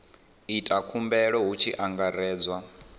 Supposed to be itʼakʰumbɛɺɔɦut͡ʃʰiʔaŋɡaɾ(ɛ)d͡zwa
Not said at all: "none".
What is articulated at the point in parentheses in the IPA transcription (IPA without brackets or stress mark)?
ɛː